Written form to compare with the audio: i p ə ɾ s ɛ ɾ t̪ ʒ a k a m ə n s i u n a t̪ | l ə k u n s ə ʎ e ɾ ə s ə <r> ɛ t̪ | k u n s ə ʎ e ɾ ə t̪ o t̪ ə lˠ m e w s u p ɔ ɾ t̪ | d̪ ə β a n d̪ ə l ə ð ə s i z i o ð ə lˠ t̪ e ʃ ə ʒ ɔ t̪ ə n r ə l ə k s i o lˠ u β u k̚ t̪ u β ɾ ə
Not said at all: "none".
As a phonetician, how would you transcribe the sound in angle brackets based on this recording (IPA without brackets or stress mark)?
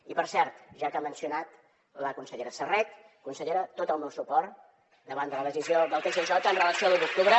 r